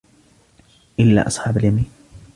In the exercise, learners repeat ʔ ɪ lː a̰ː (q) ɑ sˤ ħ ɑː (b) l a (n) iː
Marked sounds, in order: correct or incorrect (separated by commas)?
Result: incorrect, correct, incorrect